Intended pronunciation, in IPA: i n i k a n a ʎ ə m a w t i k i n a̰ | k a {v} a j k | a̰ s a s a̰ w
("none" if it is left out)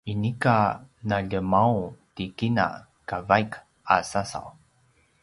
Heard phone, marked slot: v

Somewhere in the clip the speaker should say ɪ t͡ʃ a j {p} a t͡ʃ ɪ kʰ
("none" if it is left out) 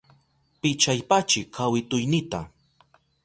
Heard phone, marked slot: p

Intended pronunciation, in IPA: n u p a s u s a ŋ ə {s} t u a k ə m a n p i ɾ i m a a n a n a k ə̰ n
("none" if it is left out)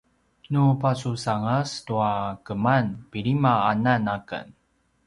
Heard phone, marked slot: s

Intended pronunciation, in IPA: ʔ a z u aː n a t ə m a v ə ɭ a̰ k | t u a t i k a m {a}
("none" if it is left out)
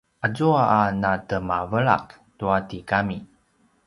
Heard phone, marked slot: i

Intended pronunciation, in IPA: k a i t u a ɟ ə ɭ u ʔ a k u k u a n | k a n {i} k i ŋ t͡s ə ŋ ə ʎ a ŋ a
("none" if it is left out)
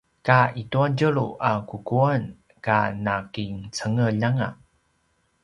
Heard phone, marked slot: a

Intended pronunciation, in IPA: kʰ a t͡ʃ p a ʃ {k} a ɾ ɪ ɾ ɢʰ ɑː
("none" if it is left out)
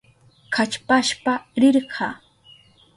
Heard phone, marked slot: p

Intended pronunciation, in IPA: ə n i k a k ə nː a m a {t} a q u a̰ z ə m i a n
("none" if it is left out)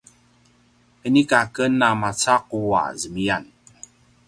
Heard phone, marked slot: t͡s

